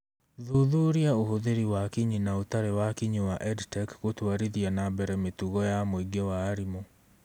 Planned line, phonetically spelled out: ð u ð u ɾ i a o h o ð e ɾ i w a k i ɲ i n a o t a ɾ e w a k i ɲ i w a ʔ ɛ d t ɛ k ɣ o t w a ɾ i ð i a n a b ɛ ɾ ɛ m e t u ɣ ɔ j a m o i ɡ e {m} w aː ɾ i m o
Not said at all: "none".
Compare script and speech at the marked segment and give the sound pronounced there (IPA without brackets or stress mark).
none